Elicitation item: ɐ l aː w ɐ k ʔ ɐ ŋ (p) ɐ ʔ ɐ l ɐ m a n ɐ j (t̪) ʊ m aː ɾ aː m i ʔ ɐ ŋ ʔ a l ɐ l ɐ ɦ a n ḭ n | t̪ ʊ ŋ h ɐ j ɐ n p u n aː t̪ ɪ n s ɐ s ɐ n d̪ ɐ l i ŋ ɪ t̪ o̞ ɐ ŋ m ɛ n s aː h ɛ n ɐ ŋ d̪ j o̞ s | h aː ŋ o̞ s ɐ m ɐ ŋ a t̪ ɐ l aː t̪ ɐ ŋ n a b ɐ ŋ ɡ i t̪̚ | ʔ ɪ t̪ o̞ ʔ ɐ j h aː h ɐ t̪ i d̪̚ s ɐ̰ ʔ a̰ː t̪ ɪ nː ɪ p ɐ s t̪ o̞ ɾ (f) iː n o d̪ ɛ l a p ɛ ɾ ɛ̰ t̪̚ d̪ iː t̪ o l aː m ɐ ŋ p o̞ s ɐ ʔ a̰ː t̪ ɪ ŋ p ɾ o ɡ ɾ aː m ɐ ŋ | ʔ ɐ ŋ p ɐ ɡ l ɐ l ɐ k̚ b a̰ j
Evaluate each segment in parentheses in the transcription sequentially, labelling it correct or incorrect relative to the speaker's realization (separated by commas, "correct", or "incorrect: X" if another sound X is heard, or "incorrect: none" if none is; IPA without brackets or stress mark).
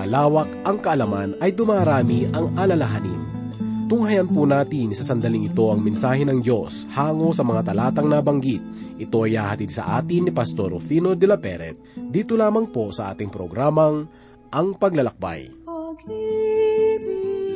incorrect: k, incorrect: d̪, correct